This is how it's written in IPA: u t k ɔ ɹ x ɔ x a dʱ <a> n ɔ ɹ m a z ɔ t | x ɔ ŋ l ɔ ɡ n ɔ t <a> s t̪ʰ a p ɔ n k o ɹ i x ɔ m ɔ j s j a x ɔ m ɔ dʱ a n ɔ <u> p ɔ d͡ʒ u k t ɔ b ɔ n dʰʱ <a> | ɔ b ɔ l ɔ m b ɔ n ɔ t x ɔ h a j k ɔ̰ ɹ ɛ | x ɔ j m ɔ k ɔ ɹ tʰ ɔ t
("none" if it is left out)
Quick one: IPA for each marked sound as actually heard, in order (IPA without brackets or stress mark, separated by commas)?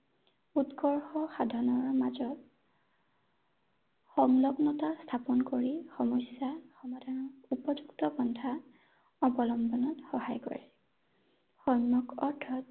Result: a, a, u, a